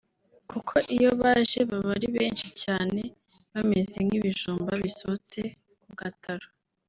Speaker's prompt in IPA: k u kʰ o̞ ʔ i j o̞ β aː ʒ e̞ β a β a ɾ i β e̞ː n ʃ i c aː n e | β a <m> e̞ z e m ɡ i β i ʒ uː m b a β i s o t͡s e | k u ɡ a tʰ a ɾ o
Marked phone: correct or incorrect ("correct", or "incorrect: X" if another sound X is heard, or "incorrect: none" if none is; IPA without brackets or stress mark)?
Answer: correct